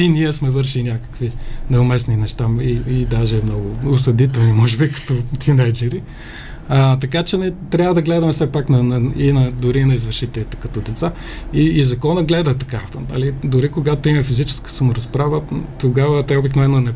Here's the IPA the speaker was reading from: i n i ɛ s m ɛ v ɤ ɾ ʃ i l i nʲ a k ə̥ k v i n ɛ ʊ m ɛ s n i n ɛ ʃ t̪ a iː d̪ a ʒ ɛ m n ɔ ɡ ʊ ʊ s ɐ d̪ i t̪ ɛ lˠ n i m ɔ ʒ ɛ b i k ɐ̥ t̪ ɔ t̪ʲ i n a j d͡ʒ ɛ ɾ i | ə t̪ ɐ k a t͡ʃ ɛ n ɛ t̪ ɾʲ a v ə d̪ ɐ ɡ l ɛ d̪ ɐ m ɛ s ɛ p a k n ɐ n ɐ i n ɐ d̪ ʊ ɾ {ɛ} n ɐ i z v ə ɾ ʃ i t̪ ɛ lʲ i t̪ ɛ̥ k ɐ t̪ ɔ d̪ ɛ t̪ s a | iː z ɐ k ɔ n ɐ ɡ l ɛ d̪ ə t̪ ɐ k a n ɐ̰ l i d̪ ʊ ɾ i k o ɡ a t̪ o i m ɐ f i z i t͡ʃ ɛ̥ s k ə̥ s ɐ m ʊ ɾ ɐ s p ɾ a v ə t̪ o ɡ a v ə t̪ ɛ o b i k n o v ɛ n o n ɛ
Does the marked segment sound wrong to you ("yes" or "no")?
yes